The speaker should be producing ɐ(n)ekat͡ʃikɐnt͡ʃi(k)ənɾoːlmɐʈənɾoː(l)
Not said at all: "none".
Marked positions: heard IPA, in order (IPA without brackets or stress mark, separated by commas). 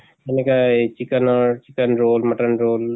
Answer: n, k, l